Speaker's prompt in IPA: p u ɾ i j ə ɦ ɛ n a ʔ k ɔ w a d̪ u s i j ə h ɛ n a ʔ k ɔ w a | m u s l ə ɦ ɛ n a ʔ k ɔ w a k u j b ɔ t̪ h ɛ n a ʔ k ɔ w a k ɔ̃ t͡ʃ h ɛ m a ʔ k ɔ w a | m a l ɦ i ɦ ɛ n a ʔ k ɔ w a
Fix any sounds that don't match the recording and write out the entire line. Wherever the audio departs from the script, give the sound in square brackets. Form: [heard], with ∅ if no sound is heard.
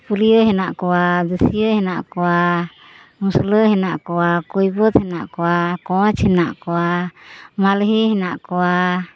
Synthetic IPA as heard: p u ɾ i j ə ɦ ɛ n a ʔ k ɔ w a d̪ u s i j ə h ɛ n a ʔ k ɔ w a | m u s l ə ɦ ɛ n a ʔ k ɔ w a k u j b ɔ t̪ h ɛ n a ʔ k ɔ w a k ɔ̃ t͡ʃ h ɛ [n] a ʔ k ɔ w a | m a l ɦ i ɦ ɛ n a ʔ k ɔ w a